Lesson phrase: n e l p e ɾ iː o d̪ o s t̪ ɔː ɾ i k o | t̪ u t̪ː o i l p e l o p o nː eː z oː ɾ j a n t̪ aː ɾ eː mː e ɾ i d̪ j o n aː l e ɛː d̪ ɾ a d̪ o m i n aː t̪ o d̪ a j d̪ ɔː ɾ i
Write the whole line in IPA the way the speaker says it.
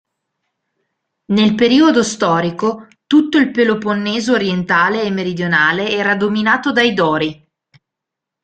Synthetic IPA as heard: n e l p e ɾ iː o d̪ o s t̪ ɔː ɾ i k o | t̪ u t̪ː o i l p e l o p o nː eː z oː ɾ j e n t̪ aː l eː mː e ɾ i d̪ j o n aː l e ɛː ɾ a d̪ o m i n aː t̪ o d̪ a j d̪ ɔː ɾ i